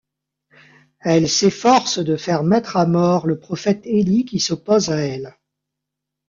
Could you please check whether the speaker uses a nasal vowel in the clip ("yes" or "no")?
no